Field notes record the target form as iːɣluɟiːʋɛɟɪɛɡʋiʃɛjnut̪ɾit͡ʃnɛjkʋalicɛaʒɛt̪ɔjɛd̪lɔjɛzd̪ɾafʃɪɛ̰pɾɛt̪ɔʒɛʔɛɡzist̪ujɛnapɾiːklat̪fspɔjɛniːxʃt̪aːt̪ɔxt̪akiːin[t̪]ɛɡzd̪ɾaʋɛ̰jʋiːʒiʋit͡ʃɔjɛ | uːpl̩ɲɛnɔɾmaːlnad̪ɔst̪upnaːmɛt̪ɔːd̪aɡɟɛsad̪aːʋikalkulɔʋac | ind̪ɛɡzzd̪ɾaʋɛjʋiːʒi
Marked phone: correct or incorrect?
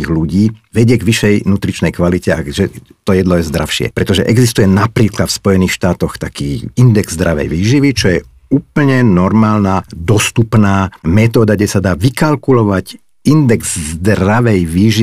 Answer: incorrect